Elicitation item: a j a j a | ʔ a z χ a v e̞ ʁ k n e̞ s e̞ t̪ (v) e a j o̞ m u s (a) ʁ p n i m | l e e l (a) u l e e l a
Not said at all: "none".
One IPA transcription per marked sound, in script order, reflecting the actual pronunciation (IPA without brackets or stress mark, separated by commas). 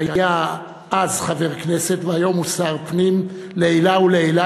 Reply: v, a, a